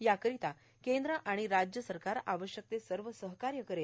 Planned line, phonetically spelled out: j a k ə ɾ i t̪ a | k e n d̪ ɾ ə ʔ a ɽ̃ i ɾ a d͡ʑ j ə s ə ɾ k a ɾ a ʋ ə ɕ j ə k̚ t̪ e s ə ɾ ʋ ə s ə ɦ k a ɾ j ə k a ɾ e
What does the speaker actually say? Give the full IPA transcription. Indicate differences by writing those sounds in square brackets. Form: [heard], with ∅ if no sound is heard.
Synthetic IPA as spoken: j a k ə ɾ i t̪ a | k e n d̪ ɾ ə ʔ a ɽ̃ i ɾ a d͡ʑ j ə s ə ɾ k a ɾ a ʋ ə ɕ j ə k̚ t̪ e s ə ɾ ʋ ə s ə ɦ k a ɾ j ə k [ə] ɾ e